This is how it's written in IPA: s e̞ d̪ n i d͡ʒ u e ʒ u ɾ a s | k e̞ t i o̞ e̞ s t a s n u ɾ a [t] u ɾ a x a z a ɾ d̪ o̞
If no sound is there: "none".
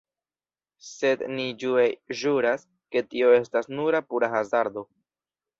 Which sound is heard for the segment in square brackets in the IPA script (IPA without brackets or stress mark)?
p